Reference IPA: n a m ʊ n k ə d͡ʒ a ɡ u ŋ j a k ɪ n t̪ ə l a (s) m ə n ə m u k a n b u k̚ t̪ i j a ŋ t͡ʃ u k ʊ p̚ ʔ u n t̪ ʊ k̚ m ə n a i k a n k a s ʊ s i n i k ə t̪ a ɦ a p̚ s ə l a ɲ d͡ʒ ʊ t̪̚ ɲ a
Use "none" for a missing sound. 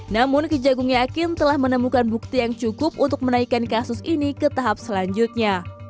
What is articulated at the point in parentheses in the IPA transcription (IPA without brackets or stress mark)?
h